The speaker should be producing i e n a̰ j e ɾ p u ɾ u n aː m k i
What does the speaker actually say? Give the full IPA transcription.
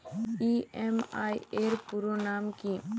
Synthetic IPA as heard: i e m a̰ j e ɾ p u ɾ o n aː m k i